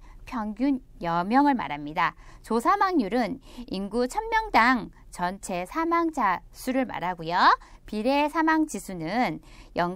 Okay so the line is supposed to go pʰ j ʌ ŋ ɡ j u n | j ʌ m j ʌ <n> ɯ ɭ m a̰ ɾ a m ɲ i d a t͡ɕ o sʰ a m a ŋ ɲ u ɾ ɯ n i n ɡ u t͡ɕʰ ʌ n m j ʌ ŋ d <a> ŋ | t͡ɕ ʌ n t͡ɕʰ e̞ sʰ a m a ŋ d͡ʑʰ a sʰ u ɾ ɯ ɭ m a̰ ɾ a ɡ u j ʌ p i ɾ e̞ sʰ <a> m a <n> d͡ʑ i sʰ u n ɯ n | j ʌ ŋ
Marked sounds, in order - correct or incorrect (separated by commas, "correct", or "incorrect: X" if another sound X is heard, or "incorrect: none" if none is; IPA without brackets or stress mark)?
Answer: incorrect: ŋ, correct, correct, incorrect: ŋ